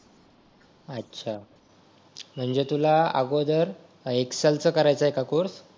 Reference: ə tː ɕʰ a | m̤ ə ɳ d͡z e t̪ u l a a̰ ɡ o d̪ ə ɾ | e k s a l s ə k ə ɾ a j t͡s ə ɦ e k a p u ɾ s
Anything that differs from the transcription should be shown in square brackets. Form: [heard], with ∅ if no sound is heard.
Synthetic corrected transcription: ə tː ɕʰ a | m̤ ə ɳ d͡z e t̪ u l a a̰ ɡ o d̪ ə ɾ | e k s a l [t͡s] ə k ə ɾ a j t͡s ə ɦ e k a [k] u ɾ s